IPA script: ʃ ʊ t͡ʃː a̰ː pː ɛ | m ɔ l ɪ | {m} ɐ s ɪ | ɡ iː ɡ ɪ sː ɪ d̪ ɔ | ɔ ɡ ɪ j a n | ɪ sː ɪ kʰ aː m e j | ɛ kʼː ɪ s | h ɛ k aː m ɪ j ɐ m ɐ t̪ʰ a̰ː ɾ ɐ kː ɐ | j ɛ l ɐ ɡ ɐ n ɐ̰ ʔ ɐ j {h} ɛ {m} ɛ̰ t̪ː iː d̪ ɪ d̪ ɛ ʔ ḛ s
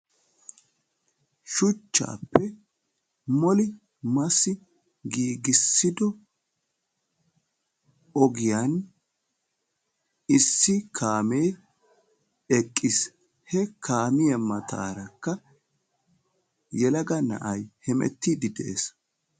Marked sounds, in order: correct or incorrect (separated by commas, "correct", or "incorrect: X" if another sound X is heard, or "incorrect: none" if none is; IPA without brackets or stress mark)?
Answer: correct, correct, correct